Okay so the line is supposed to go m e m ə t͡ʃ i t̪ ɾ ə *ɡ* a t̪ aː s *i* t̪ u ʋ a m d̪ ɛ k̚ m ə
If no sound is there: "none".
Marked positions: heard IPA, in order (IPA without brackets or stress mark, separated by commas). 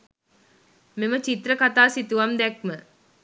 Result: k, i